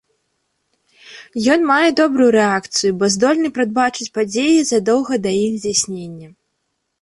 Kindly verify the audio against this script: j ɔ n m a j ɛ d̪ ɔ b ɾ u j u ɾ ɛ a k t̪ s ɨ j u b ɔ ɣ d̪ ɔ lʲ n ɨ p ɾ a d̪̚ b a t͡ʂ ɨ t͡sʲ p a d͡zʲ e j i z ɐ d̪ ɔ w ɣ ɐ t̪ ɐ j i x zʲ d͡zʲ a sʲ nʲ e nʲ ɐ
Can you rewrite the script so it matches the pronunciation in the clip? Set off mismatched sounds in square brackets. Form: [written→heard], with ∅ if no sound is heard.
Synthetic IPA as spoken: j ɔ n m a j ɛ d̪ ɔ b ɾ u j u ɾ ɛ a k t̪ s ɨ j u b ɔ [ɣ→z] d̪ ɔ lʲ n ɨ p ɾ a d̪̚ b a t͡ʂ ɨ t͡sʲ p a d͡zʲ e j i z ɐ d̪ ɔ w ɣ ɐ [t̪→d̪] ɐ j i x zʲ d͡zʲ a sʲ nʲ e [nʲ→nʲː] ɐ